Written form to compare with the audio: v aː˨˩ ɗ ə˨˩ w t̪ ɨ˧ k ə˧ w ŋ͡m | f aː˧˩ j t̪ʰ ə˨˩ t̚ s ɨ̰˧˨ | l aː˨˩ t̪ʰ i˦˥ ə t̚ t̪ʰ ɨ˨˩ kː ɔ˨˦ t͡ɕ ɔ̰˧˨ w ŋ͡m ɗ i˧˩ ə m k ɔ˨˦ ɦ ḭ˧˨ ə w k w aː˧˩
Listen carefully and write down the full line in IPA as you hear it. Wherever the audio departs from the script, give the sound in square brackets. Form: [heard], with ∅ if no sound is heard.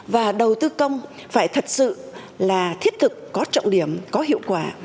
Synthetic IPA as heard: v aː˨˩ ɗ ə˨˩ w t̪ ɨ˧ k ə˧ w ŋ͡m | f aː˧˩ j t̪ʰ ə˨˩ t̚ s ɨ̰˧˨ | l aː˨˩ t̪ʰ i˦˥ ə t̚ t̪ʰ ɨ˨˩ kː ɔ˨˦ t͡ɕ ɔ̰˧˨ w ŋ͡m ɗ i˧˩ ə m k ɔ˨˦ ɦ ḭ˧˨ ə w k w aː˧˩